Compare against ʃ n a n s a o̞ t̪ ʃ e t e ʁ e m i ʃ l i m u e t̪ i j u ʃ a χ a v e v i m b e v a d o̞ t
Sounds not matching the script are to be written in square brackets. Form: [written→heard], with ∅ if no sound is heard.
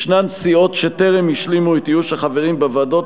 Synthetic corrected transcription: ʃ n a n s [a→i] o̞ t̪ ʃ e t e ʁ e m i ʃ l i m u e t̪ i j u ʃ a χ a v e [v→ʁ] i m b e v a d o̞ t